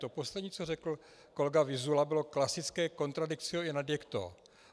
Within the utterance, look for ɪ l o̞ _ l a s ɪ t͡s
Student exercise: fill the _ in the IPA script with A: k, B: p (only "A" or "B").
A